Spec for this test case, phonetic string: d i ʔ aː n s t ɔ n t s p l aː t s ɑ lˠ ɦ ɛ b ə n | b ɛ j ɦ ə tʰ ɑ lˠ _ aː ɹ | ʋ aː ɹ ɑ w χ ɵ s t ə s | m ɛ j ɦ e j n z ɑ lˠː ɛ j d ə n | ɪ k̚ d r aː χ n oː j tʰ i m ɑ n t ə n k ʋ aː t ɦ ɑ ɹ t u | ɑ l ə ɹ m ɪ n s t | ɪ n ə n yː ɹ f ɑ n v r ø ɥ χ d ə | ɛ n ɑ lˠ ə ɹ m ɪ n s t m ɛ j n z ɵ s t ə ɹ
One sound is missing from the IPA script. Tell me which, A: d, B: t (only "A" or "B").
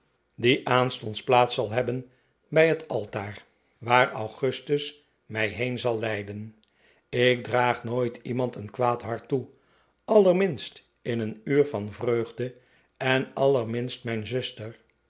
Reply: B